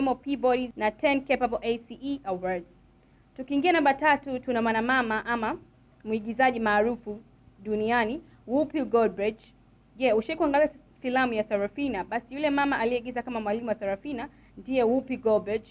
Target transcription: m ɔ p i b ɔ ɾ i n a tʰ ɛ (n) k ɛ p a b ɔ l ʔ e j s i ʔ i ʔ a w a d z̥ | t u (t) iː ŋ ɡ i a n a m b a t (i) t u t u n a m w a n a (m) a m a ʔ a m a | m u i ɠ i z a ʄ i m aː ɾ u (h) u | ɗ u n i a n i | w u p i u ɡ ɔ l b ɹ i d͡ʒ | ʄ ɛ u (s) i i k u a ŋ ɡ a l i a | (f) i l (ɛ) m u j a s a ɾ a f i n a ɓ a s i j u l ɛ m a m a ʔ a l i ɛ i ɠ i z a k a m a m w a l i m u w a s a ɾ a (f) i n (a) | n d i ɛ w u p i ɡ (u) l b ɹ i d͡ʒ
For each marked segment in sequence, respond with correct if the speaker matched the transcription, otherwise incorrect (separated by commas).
correct, incorrect, incorrect, correct, incorrect, incorrect, correct, incorrect, correct, correct, incorrect